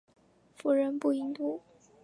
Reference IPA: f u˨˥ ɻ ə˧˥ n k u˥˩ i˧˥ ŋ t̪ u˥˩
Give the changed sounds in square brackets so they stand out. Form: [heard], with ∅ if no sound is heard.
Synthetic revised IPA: f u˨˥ ɻ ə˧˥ n [p] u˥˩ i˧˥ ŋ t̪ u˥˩